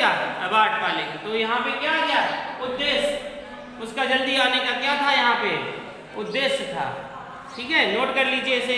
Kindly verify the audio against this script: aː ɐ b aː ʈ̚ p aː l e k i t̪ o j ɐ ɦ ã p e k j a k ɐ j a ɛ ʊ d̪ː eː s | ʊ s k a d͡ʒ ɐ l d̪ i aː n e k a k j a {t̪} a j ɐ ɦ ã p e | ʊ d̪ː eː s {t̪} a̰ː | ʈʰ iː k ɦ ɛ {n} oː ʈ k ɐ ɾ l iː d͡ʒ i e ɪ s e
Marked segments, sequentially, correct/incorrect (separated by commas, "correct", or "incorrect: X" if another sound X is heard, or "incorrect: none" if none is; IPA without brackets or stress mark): incorrect: t̪ʰ, incorrect: t̪ʰ, correct